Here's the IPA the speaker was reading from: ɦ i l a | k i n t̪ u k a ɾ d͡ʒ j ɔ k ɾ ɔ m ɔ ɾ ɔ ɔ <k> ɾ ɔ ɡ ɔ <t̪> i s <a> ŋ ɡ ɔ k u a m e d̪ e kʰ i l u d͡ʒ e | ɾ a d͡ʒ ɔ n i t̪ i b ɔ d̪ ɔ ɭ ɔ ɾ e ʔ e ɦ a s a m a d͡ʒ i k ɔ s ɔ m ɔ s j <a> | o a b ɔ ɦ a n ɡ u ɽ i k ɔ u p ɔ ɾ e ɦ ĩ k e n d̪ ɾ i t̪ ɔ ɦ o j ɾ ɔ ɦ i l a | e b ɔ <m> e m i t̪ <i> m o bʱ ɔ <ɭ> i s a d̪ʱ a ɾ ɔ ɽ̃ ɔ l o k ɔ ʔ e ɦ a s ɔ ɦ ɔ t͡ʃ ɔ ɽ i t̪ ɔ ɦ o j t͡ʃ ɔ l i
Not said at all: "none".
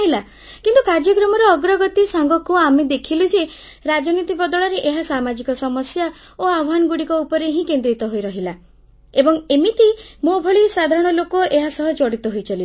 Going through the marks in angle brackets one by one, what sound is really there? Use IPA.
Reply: ɡ, t̪, a, a, ŋ, i, ɭ

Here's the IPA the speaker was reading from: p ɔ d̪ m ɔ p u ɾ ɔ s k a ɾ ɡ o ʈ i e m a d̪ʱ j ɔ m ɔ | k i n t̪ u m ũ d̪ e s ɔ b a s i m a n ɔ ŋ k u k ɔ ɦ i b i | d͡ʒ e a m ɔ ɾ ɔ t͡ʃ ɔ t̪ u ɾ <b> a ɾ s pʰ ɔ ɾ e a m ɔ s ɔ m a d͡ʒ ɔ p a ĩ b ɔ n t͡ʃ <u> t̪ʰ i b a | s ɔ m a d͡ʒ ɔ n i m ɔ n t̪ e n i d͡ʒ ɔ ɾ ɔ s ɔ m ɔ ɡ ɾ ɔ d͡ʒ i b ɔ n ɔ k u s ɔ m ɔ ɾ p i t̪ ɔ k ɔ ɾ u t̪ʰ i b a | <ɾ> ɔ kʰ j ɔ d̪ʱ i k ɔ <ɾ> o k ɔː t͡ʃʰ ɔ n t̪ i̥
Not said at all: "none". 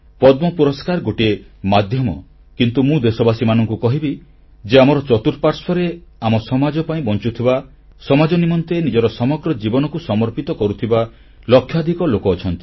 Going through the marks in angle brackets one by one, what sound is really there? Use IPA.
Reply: p, u, l, l

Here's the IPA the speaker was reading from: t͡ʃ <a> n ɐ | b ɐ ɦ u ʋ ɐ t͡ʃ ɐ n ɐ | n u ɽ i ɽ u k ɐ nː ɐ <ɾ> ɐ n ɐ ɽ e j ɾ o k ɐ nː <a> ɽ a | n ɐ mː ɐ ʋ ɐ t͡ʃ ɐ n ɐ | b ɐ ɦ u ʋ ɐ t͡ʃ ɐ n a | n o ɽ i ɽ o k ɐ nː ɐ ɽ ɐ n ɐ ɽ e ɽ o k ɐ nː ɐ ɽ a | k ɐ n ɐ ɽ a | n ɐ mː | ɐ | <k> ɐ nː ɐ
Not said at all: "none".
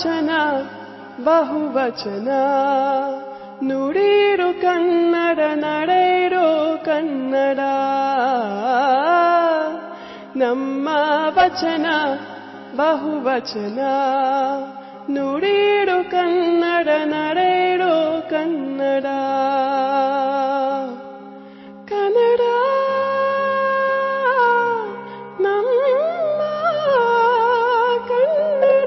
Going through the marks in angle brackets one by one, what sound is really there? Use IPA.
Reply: ɐ, ɽ, ɐ, k

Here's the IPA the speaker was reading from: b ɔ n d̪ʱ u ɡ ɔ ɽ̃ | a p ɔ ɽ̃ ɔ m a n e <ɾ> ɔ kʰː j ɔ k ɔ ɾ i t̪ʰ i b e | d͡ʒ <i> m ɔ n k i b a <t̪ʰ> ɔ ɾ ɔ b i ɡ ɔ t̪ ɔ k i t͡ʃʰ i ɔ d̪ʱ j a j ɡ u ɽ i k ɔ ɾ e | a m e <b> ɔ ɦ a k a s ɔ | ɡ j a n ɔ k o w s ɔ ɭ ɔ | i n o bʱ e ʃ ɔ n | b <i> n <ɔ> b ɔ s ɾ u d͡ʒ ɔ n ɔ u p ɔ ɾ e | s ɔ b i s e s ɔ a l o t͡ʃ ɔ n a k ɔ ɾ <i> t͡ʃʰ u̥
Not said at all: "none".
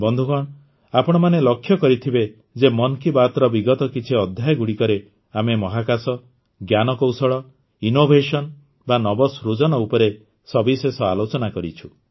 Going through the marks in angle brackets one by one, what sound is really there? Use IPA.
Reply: l, e, t̪, m, a, ɔ, i

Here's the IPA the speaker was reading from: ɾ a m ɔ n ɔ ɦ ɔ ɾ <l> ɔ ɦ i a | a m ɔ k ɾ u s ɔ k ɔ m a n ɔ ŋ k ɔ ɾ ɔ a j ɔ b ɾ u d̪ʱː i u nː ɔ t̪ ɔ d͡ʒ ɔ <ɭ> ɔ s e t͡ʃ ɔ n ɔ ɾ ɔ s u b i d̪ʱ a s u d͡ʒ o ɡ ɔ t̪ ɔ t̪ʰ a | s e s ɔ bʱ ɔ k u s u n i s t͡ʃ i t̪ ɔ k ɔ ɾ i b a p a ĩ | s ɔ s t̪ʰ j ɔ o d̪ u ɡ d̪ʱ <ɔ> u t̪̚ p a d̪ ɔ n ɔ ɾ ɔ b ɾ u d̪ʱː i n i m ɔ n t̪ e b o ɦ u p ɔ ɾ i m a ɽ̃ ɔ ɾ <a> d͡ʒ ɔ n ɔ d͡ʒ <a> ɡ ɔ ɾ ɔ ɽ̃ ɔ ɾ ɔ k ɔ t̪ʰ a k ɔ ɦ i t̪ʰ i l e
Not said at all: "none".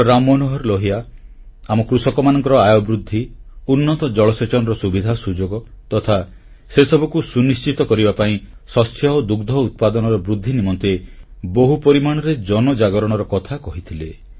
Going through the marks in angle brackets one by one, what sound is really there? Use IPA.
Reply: l, ɭ, ɔ, e, a

